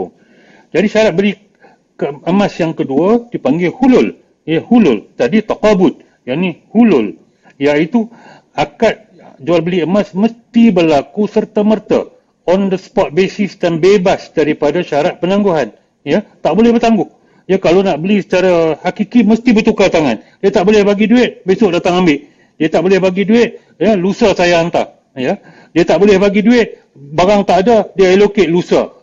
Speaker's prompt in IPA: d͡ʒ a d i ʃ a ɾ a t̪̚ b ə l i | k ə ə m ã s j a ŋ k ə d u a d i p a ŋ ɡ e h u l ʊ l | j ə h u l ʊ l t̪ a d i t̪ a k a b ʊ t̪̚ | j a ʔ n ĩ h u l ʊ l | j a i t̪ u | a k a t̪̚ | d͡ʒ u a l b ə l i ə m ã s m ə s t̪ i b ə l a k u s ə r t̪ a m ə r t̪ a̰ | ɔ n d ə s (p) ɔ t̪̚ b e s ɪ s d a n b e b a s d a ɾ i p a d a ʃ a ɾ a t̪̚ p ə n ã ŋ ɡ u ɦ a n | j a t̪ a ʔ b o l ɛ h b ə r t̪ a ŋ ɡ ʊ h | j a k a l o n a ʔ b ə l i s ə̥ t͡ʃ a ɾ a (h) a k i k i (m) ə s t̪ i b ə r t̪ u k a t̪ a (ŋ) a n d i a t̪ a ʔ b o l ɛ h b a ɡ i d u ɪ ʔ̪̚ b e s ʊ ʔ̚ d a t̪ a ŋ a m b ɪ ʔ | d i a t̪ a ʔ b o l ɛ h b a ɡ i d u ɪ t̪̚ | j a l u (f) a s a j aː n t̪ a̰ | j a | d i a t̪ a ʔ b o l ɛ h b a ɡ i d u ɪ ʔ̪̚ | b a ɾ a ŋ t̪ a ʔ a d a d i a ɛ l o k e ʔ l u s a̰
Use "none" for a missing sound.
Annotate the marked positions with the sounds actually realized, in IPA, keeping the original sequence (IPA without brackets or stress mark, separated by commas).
p, h, m, ŋ, s